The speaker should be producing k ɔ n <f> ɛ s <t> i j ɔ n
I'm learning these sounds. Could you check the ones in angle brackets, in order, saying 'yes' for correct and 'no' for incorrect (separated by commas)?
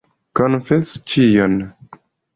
yes, no